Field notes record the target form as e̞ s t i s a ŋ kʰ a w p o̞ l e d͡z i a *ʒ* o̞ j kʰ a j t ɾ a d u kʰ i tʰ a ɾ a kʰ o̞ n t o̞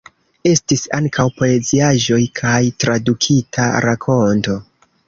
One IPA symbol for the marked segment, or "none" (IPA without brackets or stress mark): ʒ